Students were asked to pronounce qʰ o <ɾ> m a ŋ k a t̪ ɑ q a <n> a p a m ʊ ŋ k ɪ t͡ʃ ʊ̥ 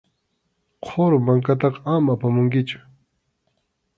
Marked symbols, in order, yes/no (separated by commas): yes, no